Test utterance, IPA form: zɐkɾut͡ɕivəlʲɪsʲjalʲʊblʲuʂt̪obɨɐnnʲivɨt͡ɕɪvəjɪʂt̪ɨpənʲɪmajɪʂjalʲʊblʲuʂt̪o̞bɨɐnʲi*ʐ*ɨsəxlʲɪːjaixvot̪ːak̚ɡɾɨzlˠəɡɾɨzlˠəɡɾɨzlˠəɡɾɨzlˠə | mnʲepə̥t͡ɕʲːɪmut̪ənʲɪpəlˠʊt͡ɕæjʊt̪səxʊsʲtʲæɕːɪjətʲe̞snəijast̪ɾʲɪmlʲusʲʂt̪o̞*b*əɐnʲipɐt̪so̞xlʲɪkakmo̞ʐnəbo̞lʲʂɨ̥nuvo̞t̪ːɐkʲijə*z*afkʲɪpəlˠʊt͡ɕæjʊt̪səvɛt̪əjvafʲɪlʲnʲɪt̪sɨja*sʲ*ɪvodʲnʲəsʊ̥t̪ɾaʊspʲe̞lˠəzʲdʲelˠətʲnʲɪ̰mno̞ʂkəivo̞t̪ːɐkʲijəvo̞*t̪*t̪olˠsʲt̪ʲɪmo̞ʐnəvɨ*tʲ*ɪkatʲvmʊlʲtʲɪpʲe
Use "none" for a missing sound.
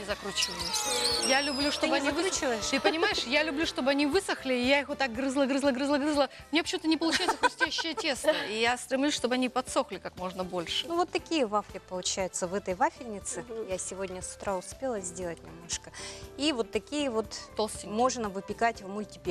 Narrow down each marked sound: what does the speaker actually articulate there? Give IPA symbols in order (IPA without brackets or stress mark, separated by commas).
v, b, v, sʲ, t̪, pʲ